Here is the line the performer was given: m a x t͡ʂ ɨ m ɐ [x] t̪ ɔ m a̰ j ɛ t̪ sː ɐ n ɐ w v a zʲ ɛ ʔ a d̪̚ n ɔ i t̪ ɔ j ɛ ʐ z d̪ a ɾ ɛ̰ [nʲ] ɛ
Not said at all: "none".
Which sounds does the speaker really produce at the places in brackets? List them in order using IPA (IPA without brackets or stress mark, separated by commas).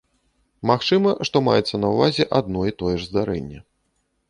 ʂ, nʲː